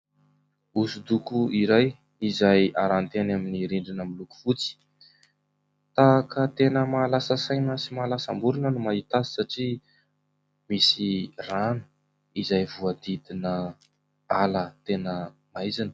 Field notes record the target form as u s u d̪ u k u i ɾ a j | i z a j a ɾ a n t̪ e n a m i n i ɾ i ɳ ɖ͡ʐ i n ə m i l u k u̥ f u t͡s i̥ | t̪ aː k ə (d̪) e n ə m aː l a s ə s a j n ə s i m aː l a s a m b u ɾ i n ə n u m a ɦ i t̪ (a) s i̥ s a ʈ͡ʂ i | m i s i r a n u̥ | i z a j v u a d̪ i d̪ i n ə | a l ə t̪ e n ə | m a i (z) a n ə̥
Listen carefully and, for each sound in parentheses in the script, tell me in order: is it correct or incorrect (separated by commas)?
incorrect, correct, correct